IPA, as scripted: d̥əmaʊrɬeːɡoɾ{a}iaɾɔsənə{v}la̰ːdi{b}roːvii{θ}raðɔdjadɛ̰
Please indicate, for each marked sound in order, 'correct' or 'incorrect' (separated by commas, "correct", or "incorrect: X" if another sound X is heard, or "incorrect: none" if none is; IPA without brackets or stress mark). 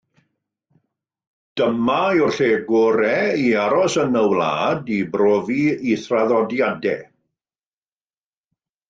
incorrect: ɛ, incorrect: w, correct, correct